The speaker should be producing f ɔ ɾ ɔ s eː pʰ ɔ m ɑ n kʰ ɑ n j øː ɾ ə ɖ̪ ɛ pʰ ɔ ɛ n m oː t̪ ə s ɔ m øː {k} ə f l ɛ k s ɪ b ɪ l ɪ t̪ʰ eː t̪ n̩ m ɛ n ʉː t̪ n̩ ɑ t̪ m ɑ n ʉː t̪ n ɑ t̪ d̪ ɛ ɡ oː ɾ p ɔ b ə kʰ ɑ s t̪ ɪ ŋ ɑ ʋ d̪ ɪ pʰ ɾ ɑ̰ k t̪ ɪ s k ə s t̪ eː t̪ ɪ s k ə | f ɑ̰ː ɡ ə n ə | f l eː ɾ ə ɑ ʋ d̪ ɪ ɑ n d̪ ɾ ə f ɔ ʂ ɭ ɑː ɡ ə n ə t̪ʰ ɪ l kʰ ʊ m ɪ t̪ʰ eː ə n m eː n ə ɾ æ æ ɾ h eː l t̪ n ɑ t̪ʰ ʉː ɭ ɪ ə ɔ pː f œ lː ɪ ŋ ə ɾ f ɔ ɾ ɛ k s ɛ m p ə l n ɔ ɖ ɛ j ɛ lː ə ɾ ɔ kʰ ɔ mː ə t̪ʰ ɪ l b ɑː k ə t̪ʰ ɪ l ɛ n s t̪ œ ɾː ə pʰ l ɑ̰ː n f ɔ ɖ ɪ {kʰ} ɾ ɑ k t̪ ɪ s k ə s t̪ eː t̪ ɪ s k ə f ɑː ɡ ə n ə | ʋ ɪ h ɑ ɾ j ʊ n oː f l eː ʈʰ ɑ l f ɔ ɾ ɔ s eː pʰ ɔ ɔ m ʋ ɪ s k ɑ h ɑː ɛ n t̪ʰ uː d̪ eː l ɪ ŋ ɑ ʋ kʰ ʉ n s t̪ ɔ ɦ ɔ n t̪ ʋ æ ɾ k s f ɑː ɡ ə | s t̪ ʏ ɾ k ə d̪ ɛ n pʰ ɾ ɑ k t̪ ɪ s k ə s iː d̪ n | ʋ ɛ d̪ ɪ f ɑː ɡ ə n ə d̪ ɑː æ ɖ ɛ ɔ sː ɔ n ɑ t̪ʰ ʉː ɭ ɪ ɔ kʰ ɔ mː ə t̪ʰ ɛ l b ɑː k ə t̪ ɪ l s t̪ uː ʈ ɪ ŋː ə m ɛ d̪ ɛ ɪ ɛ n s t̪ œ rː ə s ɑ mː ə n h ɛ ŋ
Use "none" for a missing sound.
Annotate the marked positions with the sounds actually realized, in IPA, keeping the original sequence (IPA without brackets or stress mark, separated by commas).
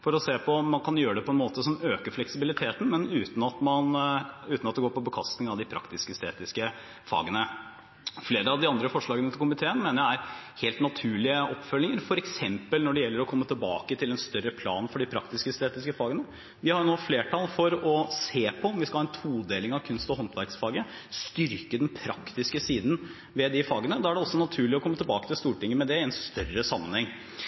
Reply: k, pʰ